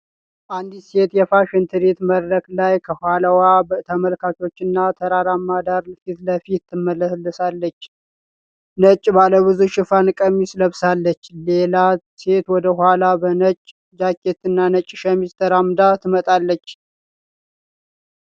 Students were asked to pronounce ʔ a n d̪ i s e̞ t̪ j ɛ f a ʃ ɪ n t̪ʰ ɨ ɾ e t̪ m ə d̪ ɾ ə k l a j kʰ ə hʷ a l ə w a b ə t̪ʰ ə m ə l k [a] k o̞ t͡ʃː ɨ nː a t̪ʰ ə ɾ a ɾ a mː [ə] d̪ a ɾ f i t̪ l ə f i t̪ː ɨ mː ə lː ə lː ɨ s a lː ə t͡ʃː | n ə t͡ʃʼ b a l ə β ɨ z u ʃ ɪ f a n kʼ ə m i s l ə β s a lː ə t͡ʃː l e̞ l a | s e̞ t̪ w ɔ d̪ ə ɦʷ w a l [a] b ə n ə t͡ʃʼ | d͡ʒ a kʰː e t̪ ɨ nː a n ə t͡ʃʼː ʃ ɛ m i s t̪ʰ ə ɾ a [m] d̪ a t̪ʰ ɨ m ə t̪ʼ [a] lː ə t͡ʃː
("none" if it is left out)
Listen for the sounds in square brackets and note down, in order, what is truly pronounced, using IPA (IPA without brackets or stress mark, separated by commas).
a, a, a, m, a